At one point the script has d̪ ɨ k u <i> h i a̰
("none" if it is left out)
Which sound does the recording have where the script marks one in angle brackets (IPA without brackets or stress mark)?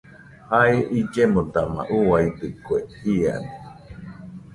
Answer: e